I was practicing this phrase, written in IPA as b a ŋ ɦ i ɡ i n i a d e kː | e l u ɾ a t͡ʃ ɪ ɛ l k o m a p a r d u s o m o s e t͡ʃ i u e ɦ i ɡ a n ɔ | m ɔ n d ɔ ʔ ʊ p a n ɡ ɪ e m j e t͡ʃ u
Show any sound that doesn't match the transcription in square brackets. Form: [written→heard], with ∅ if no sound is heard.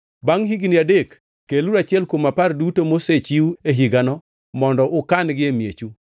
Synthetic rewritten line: b a ŋ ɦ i ɡ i n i a d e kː | e l u ɾ a t͡ʃ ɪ ɛ l k o m a p a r d u [s→t] o m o s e t͡ʃ i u e ɦ i ɡ a n ɔ | m ɔ n d ɔ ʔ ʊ [p→k] a n ɡ ɪ e m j e t͡ʃ u